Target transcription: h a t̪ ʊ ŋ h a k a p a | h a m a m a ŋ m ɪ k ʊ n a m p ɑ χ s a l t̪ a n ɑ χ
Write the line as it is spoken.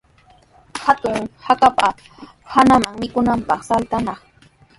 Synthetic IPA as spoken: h a t̪ ʊ ŋ h a k a p a | h a n a m a ŋ m ɪ k ʊ n a m p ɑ χ s a l t̪ a n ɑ χ